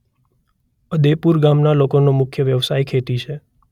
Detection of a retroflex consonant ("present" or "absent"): absent